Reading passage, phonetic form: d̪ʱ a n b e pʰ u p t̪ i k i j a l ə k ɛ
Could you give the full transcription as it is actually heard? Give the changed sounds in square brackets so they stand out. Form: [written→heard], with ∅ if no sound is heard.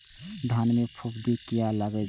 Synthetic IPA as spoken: d̪ʱ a n [b→m] e pʰ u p [t̪→d̪] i k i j a l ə [k→ɡ] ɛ